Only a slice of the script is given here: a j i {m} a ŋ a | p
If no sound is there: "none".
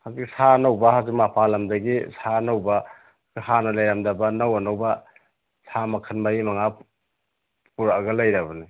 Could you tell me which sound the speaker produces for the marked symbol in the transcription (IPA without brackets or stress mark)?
m